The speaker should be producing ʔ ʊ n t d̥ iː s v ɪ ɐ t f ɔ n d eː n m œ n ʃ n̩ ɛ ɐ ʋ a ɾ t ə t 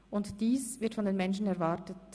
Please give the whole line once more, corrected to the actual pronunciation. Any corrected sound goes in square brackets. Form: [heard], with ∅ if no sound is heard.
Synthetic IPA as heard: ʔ ʊ n t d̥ iː s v ɪ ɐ t f ɔ n d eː n m [ɛ] n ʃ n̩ ɛ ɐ [v] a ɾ t ə t